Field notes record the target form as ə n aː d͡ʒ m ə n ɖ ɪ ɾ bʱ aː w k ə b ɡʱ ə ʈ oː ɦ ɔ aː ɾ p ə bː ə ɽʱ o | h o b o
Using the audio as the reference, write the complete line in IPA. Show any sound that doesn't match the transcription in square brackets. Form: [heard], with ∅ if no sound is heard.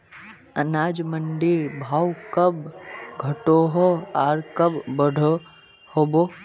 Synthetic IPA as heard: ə n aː d͡ʒ m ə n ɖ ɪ ɾ bʱ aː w k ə b ɡʱ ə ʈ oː ɦ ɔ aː ɾ [k] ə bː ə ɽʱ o | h o b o